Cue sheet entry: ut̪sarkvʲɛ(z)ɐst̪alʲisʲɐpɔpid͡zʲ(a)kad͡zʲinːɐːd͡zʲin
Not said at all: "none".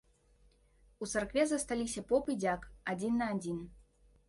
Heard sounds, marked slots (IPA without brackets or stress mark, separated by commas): z, a